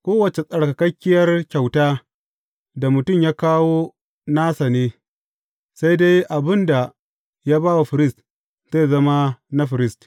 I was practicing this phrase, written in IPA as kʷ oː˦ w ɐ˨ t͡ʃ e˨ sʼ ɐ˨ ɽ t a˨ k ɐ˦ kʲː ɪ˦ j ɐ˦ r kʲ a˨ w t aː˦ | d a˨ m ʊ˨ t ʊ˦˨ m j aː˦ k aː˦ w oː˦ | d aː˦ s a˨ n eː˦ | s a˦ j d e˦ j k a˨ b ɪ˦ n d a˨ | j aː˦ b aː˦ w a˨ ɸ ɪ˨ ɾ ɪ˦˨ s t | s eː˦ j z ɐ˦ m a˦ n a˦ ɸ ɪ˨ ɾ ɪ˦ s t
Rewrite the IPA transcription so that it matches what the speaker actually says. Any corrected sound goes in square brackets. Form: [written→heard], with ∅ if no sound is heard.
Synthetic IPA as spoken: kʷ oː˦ w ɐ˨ t͡ʃ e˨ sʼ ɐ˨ ɽ [t→k] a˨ k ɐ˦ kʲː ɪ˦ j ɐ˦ r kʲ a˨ w t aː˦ | d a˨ m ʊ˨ t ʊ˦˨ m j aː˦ k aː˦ w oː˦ | [d→n] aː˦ s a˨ n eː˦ | s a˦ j d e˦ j [k→ʔ] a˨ b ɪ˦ n d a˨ | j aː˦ b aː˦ w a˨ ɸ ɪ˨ ɾ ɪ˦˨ s t | [s→z] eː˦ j z ɐ˦ m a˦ n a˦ ɸ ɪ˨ ɾ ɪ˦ s t